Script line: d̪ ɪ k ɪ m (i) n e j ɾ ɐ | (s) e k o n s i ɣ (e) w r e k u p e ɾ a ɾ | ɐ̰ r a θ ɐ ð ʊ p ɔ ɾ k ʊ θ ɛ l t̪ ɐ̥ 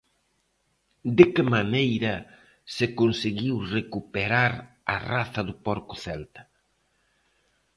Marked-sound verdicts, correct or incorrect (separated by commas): incorrect, correct, incorrect